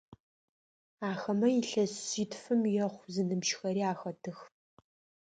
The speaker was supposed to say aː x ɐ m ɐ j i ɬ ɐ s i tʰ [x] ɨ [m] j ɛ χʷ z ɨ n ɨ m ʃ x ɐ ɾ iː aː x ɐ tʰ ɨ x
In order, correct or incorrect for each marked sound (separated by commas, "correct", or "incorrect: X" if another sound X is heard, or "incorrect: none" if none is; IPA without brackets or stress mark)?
incorrect: f, correct